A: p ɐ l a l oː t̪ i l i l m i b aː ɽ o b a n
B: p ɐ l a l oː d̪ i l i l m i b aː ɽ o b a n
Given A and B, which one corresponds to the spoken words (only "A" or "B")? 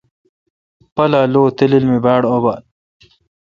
A